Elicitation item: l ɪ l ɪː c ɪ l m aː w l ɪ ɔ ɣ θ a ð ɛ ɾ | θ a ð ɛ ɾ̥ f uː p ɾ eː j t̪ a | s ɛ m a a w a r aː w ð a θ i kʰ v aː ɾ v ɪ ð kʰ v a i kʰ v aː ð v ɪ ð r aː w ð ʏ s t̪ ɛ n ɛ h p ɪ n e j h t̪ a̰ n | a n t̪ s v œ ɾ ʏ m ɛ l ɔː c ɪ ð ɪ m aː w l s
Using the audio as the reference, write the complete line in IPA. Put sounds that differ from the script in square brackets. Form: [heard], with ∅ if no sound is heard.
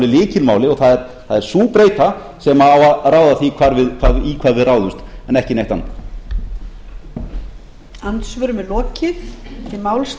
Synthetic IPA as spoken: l ɪ l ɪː c ɪ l m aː w l ɪ ɔ ɣ θ a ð ɛ ɾ | θ a ð ɛ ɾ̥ [s] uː p ɾ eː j t̪ a | s ɛ m a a w a r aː w ð a θ i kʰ v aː ɾ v ɪ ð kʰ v a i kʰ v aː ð v ɪ ð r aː w ð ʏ s t̪ ɛ n ɛ h [c] ɪ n e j h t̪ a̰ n | a n t̪ s v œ ɾ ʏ m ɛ l ɔː c ɪ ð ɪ m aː w l s